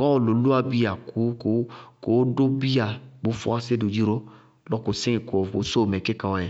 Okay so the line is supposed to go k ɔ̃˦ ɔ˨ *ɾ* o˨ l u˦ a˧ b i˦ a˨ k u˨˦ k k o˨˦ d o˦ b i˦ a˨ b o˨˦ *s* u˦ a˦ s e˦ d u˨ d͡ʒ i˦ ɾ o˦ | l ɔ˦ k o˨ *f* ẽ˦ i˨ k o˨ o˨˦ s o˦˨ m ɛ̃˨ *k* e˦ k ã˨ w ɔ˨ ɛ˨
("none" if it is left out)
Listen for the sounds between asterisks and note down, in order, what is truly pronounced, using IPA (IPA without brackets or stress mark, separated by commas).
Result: l, f, s, k